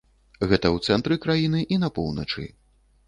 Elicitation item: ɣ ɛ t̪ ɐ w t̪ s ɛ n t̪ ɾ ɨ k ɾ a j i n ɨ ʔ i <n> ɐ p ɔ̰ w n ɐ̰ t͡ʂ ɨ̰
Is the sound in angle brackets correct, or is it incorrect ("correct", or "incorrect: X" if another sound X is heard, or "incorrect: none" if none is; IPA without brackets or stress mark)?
correct